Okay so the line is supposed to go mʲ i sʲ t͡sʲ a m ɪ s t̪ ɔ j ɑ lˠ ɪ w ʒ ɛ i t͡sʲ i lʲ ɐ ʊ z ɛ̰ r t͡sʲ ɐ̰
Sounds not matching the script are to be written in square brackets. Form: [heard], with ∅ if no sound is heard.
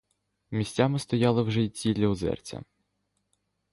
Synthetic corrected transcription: mʲ i sʲ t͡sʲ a m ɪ s t̪ ɔ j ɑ lˠ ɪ w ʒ ɛ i t͡sʲ i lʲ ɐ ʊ z ɛ̰ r t͡sʲ ɐ̰